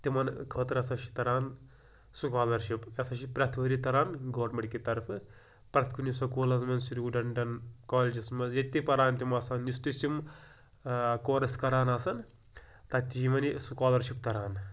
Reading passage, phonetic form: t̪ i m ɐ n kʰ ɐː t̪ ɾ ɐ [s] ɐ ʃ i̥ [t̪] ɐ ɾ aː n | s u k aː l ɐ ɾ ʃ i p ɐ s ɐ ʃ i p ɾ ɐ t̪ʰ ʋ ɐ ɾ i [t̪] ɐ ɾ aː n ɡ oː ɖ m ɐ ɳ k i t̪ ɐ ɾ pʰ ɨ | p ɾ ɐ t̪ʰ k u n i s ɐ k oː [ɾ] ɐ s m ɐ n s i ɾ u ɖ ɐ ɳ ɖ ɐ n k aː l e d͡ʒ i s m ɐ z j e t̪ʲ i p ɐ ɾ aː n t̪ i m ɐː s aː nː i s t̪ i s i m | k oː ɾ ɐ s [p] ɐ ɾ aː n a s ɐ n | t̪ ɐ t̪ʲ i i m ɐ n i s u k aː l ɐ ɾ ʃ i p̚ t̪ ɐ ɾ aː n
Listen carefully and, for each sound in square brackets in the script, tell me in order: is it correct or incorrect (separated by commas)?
correct, correct, correct, incorrect, incorrect